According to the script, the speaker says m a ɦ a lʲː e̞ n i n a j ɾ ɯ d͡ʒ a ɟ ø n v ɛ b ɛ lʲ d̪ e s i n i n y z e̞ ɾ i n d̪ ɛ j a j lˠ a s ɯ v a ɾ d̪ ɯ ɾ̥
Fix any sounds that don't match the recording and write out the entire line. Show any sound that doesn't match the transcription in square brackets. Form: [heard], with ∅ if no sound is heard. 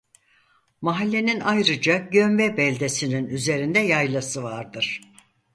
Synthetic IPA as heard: m a ɦ a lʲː e̞ n i n a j ɾ ɯ d͡ʒ a ɟ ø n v ɛ b ɛ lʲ d̪ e s i n i n y z e̞ ɾ i n d̪ ɛ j a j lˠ a s ɯ v a ɾ d̪ ɯ ɾ̥